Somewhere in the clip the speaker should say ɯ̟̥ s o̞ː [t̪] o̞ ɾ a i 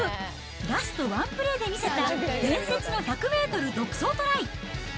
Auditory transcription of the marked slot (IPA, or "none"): t̪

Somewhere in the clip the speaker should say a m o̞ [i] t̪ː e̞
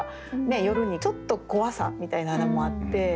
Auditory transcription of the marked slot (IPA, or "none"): a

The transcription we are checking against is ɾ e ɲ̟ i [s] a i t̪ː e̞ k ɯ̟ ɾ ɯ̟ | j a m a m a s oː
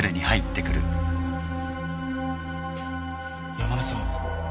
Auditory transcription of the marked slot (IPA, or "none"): h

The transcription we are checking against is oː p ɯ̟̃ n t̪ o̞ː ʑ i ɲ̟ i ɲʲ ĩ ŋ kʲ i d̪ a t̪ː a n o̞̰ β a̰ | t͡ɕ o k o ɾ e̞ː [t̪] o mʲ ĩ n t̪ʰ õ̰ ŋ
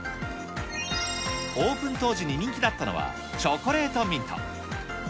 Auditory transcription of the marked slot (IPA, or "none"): t̪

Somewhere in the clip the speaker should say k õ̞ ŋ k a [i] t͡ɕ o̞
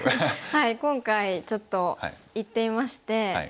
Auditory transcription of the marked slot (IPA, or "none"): i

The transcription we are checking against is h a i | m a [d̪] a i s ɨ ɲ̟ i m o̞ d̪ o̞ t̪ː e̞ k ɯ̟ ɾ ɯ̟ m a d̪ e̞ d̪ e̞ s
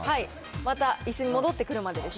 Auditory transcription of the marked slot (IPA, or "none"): t̪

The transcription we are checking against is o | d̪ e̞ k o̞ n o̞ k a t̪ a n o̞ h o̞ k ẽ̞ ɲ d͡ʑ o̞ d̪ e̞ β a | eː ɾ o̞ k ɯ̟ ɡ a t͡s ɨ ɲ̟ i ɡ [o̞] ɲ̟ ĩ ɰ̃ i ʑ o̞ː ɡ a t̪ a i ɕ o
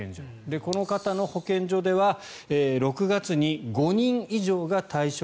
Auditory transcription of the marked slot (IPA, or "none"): o̞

